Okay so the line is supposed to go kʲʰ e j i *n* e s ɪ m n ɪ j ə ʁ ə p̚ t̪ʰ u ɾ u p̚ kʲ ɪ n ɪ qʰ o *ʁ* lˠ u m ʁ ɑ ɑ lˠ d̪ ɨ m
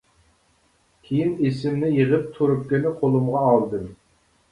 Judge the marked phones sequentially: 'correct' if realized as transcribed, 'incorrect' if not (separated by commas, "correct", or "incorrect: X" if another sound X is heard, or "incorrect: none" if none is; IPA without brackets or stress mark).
correct, incorrect: none